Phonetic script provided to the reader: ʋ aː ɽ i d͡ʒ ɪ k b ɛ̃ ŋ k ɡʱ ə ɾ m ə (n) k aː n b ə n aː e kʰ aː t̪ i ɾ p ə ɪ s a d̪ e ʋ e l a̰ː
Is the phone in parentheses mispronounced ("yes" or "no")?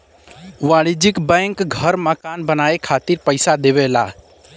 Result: yes